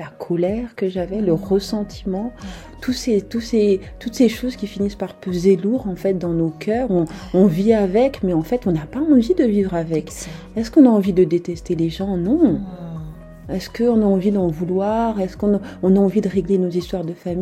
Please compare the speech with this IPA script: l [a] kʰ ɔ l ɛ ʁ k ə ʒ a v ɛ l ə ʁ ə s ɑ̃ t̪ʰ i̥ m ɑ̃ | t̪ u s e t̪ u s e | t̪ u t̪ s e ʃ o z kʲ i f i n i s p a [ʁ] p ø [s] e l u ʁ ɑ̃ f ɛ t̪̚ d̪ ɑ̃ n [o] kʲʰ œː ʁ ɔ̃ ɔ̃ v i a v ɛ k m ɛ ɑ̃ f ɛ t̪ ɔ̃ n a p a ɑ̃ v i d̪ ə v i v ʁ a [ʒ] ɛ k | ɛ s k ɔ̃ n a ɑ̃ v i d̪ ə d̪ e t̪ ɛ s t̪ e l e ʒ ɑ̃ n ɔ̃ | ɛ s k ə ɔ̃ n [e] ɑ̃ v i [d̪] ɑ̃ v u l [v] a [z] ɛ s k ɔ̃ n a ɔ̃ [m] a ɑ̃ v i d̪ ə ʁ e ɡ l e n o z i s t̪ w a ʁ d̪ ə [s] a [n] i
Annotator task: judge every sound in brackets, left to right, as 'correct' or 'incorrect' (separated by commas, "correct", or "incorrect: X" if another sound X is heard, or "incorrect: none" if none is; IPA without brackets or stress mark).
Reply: correct, correct, incorrect: z, correct, incorrect: v, incorrect: a, correct, incorrect: w, incorrect: ʁ, incorrect: n, incorrect: f, incorrect: m